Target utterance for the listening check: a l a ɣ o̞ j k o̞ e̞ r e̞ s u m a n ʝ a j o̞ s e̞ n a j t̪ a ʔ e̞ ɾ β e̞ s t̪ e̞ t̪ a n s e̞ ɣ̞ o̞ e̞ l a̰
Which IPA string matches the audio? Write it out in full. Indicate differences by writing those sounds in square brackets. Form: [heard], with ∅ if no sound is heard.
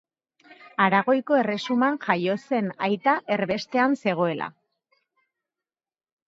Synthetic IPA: a [ɾ] a ɣ o̞ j k o̞ e̞ r e̞ s u m a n ʝ a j o̞ s e̞ n a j t̪ a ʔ e̞ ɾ β e̞ s t̪ e̞ [∅] a n s e̞ ɣ̞ o̞ e̞ l a̰